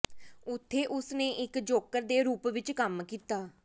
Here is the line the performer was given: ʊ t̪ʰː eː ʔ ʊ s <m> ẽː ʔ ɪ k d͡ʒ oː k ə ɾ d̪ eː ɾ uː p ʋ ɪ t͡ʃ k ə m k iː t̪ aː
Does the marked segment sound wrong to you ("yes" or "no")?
yes